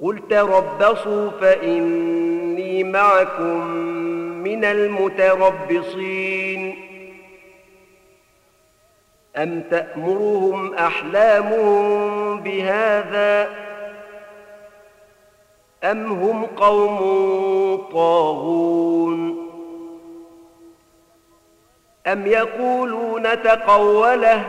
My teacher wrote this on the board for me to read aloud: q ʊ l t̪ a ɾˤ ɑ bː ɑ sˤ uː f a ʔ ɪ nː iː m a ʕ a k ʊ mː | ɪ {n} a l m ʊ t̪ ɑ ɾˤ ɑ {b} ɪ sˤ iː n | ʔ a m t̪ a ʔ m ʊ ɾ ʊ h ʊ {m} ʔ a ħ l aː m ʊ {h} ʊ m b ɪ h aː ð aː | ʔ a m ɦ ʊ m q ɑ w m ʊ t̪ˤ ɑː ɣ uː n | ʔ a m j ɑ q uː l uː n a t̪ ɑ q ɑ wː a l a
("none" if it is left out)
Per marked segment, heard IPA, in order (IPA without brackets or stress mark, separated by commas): n, bː, m, h